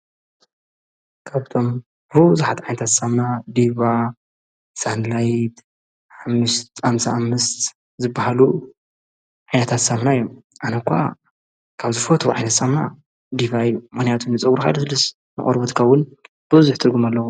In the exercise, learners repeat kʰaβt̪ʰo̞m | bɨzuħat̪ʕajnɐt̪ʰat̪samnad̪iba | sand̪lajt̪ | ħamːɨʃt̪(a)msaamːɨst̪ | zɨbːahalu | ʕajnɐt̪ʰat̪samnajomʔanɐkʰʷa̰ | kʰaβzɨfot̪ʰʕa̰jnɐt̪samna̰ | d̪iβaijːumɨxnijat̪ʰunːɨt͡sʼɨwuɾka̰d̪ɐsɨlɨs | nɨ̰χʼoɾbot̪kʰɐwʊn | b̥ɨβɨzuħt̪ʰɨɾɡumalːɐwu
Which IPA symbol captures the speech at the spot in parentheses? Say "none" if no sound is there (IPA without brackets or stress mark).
a